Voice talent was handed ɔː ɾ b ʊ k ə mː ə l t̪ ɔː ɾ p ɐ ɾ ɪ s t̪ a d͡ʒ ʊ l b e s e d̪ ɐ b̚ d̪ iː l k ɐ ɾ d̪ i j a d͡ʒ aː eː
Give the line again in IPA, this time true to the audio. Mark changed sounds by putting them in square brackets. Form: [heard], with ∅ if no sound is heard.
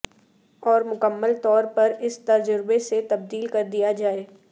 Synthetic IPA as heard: ɔː ɾ [m] ʊ k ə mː ə l t̪ ɔː ɾ p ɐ ɾ ɪ s t̪ [ɐ] d͡ʒ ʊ [ɾ] b e s e [t̪] ɐ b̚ d̪ iː l k ɐ ɾ d̪ i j a d͡ʒ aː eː